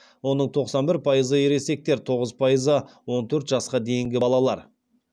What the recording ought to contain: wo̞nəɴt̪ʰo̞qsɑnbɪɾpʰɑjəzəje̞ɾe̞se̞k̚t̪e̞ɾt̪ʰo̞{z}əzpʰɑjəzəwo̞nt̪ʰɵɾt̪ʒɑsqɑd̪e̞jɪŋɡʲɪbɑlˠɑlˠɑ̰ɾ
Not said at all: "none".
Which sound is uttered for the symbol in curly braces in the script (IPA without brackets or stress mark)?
ʁ